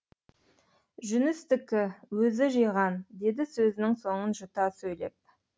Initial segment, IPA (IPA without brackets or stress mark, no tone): ʒ